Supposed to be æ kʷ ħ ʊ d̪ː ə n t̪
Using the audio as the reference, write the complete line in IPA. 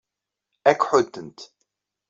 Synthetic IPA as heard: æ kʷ ħ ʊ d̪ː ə n t̪